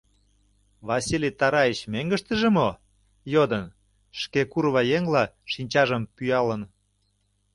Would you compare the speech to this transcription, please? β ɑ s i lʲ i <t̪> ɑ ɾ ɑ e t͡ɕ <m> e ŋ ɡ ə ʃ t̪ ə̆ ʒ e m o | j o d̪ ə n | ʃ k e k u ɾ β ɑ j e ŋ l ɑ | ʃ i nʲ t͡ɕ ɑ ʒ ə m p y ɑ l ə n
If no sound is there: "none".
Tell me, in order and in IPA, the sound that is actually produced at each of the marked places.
t̪, m

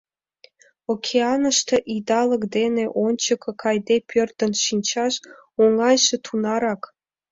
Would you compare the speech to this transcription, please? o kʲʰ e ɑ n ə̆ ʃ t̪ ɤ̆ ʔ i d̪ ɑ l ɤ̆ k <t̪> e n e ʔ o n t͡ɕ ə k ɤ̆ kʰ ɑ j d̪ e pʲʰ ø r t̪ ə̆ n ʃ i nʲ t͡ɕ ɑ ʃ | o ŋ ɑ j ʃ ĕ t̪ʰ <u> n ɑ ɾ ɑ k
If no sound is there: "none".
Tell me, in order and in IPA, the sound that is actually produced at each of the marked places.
d̪, u

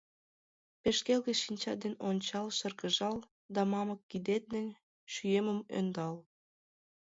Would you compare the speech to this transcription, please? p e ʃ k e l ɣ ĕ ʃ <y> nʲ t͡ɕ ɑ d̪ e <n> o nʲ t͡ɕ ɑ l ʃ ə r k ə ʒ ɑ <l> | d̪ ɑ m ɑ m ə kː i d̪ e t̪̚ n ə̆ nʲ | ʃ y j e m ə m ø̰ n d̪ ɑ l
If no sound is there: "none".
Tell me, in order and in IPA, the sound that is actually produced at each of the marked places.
i, n, l

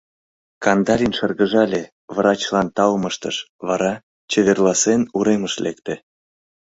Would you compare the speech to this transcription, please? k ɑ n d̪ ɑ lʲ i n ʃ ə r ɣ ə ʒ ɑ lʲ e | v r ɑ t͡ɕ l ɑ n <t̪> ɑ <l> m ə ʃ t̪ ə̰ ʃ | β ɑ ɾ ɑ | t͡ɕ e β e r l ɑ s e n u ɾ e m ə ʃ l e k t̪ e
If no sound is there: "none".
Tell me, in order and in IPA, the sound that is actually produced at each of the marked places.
t̪, l

